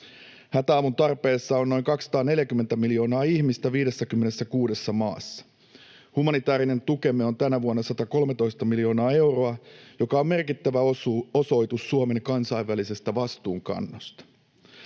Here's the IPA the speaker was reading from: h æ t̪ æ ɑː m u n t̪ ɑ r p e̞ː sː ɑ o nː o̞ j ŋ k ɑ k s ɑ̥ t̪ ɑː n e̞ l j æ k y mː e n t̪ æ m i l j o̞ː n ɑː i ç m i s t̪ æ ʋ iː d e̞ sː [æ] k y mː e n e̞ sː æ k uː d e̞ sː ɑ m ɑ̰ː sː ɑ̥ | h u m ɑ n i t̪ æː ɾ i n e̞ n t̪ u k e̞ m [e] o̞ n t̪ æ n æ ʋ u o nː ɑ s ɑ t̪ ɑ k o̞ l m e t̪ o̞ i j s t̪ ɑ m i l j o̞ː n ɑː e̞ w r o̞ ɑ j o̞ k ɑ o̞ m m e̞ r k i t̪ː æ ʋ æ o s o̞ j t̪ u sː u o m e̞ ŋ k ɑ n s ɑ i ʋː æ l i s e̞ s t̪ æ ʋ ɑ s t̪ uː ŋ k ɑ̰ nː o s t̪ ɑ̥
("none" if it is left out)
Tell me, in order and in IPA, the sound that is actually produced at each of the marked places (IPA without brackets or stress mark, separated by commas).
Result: æ, e